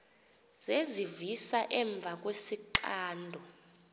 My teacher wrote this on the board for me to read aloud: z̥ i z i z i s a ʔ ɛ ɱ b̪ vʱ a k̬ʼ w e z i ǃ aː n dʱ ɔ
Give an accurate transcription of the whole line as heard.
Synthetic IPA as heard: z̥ e z i v i s a ʔ ɛ ɱ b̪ vʱ a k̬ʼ w e s i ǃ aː n dʱ ɔ